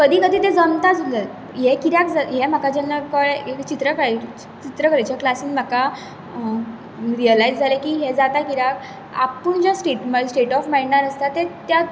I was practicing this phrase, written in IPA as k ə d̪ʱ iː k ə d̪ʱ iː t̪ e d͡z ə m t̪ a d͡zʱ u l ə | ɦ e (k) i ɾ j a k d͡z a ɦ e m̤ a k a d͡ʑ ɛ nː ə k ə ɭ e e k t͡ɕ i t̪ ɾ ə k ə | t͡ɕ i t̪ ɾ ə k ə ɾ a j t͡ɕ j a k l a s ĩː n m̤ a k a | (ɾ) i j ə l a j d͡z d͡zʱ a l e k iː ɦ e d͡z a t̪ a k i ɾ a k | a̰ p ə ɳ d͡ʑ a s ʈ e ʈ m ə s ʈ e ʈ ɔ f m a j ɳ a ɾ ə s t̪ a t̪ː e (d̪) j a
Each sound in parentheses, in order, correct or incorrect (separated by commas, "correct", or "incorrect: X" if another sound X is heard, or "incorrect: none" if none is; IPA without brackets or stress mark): correct, correct, incorrect: t̪